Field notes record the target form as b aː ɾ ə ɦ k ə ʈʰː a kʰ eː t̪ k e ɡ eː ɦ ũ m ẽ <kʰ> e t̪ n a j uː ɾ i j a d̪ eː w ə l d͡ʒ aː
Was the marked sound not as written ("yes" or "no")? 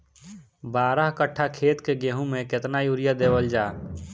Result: yes